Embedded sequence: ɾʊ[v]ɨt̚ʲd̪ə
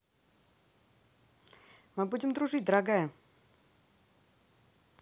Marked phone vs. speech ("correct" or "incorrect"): incorrect